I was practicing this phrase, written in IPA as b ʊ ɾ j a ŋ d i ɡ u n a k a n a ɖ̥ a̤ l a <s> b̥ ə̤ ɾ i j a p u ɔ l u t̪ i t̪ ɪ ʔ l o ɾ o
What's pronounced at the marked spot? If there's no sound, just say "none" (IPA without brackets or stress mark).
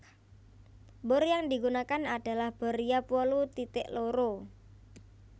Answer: h